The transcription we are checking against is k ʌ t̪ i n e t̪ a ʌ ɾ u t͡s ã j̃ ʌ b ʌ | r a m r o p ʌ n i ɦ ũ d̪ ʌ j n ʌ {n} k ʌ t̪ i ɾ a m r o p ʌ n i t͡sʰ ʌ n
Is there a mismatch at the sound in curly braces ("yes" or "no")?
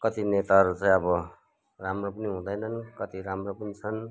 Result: no